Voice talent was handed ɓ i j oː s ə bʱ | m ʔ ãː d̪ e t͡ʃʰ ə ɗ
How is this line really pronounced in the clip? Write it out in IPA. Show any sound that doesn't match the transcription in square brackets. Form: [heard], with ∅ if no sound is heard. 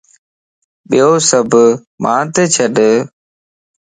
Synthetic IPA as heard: ɓ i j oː s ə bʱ | m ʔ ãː [t̪] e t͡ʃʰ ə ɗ